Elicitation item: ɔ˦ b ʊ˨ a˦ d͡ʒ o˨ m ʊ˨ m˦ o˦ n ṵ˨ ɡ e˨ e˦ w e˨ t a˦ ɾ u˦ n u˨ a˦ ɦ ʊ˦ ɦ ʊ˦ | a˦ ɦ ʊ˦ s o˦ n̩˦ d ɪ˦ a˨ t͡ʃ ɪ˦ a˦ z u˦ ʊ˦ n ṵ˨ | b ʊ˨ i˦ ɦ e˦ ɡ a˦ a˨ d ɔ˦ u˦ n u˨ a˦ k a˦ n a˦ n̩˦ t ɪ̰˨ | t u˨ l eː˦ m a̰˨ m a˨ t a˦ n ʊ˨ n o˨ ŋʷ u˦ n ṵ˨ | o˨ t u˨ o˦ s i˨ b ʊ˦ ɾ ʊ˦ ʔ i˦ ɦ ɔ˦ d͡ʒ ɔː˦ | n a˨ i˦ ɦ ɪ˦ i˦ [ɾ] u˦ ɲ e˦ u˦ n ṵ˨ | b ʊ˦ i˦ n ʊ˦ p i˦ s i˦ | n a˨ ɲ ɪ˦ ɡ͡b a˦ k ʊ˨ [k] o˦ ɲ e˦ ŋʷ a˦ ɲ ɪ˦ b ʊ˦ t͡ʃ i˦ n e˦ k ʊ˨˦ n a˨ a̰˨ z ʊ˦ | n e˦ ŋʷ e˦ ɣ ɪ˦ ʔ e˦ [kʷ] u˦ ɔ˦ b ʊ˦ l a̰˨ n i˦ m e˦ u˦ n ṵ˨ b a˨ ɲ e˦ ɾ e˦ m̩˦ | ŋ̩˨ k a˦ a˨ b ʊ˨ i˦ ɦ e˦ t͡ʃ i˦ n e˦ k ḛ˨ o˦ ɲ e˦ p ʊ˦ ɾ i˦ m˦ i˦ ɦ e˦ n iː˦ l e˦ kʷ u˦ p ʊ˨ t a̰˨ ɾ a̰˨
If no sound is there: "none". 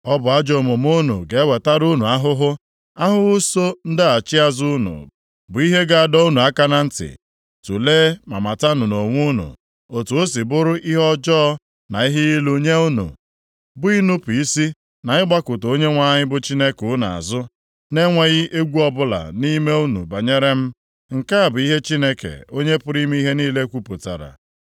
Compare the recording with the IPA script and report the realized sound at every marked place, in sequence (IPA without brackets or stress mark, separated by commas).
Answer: l, t, ɡʷ